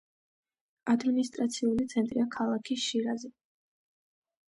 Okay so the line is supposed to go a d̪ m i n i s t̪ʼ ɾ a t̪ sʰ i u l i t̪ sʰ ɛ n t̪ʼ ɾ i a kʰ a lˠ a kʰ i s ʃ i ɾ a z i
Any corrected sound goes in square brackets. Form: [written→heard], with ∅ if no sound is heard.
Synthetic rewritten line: a d̪ m i n i s t̪ʼ ɾ a t̪ sʰ i u l i t̪ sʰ ɛ n t̪ʼ ɾ i a kʰ a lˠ a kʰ i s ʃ i ɾ a z [i→ɛ]